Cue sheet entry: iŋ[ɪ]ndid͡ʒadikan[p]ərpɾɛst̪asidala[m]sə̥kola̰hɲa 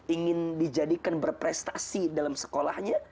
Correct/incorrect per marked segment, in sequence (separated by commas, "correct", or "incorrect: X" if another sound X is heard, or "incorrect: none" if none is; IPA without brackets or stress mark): correct, incorrect: b, correct